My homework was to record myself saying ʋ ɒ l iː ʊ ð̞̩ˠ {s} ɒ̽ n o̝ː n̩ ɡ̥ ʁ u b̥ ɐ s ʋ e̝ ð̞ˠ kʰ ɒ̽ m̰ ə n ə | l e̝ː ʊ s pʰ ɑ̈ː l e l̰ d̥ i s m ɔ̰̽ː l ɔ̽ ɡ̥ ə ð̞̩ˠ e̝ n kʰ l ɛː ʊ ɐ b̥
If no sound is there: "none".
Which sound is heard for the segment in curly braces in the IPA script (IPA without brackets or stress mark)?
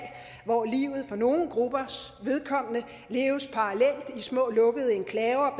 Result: f